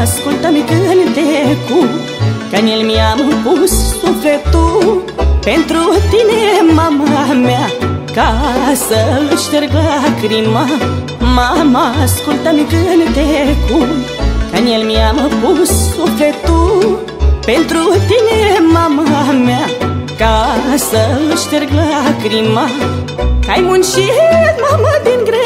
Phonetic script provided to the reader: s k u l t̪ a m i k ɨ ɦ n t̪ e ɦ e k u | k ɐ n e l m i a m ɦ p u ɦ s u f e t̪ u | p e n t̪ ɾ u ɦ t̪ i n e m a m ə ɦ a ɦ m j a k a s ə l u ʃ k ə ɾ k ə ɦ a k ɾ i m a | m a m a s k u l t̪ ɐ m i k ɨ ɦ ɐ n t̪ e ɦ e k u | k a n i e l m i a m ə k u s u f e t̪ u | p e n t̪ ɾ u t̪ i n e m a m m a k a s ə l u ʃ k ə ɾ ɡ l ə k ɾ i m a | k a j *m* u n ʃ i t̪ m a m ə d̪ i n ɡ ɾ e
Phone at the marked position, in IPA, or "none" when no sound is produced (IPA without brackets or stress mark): m